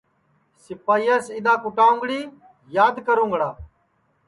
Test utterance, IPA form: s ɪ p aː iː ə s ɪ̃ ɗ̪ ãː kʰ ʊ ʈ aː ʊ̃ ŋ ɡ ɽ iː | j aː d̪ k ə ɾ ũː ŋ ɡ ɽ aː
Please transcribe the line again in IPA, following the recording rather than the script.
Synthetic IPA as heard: s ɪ p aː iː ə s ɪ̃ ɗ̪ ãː k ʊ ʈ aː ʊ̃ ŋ ɡ ɽ iː | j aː d̪ k ə ɾ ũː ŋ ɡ ɽ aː